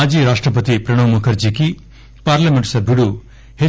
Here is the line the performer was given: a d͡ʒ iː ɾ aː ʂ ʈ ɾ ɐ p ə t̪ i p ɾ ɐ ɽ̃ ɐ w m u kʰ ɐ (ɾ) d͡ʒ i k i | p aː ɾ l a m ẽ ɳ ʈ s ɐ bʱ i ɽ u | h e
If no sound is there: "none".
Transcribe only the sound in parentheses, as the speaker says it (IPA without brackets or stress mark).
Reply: ɾ